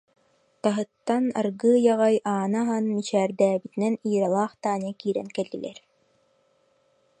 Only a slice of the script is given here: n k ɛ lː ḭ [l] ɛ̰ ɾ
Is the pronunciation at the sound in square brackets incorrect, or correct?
correct